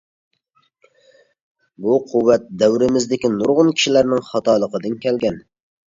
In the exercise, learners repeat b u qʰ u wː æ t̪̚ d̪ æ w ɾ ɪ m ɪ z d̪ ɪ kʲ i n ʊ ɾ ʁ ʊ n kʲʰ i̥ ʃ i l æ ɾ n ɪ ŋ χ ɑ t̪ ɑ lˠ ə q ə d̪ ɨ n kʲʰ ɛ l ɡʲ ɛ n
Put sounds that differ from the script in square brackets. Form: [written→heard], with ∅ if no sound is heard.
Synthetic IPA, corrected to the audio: b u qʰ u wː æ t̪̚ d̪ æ w ɾ ɪ m ɪ z d̪ ɪ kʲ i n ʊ ɾ ʁ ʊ n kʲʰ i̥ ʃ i l æ ɾ n ɪ ŋ χ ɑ t̪ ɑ lˠ ə q ə d̪ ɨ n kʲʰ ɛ l ɡʲ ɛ n